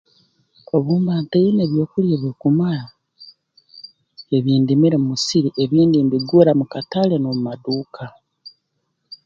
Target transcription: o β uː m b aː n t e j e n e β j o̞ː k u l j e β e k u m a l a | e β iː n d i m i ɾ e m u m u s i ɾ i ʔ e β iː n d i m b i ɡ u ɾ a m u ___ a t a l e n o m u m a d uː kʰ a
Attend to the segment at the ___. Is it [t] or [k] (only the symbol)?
k